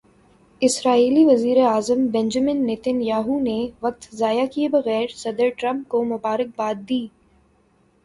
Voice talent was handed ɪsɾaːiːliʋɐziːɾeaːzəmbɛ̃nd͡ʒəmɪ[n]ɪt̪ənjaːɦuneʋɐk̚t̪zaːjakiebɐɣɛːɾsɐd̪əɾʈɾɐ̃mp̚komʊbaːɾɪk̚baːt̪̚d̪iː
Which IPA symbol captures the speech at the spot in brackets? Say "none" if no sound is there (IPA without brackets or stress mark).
nː